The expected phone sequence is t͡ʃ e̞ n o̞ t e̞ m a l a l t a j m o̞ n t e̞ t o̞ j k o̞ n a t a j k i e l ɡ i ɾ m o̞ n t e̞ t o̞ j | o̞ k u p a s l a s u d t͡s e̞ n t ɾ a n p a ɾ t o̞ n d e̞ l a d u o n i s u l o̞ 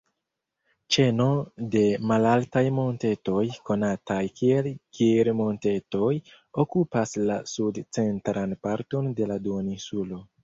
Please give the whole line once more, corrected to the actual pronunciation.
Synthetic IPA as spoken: t͡ʃ e̞ n o̞ d e̞ m a l a l t a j m o̞ n t e̞ t o̞ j k o̞ n a t a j k i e l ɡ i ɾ m o̞ n t e̞ t o̞ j | o̞ k u p a s l a s u d t͡s e̞ n t ɾ a n p a ɾ t o̞ n d e̞ l a d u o n i s u l o̞